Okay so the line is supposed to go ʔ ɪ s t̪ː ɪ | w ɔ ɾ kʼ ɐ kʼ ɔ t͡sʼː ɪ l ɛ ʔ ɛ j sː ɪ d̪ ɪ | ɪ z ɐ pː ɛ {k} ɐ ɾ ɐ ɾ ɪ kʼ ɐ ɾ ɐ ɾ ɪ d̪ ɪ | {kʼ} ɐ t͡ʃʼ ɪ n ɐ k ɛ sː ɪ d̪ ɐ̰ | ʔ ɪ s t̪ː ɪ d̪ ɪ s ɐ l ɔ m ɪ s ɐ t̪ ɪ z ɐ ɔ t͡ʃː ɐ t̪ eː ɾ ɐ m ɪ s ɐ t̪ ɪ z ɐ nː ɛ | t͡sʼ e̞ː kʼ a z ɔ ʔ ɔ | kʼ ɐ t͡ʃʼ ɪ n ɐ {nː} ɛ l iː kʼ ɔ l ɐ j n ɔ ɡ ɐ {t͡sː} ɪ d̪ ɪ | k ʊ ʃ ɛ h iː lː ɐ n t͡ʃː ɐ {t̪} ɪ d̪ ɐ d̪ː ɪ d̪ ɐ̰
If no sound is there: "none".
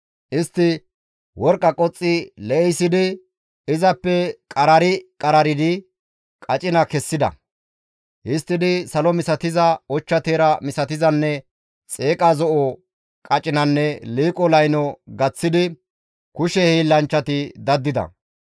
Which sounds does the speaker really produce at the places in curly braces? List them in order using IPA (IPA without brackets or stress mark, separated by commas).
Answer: kʼ, kʼ, nː, t͡sː, t̪